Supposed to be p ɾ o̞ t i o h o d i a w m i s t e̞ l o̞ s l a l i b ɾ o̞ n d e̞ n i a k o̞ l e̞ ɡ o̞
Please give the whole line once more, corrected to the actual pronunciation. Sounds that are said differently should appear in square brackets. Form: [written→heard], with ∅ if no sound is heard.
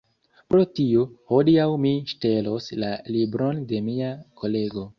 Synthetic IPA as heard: p ɾ o̞ t i o h o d i a w m i [s→ʃ] t e̞ l o̞ s l a l i b ɾ o̞ n d e̞ [n→m] i a k o̞ l e̞ ɡ o̞